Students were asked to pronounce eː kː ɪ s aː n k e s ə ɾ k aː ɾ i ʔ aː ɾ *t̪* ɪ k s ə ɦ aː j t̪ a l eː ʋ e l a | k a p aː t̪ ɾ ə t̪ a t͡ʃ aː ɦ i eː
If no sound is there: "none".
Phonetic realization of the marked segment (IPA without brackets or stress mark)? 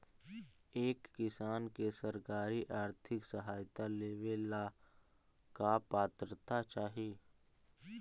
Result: t̪ʰ